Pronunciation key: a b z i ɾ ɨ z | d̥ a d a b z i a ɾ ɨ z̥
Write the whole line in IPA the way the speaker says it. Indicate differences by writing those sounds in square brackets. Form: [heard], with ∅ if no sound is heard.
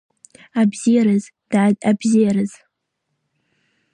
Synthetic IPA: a b z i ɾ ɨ z | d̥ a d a b z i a ɾ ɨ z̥